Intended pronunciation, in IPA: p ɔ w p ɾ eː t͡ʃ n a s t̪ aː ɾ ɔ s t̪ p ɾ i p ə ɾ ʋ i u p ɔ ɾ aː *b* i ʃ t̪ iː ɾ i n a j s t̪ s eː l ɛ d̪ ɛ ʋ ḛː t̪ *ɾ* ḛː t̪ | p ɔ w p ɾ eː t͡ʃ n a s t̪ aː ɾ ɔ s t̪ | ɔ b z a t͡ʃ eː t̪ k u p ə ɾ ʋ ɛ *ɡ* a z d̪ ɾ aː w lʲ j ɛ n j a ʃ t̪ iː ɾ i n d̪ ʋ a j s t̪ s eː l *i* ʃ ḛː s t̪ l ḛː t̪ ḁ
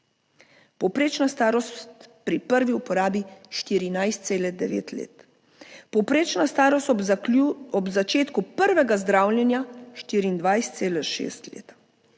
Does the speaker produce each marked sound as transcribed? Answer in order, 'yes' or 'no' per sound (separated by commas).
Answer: yes, no, yes, no